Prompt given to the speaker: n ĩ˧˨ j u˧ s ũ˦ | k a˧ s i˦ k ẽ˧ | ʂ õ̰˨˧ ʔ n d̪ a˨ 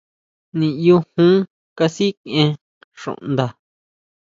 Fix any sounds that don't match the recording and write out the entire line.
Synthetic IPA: n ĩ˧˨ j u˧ h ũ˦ | k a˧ s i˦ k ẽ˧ | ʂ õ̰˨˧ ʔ n d̪ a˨